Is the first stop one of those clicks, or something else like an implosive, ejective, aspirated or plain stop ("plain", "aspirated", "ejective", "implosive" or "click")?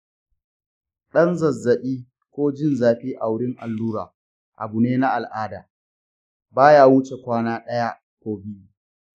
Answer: implosive